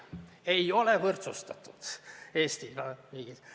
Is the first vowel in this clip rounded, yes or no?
no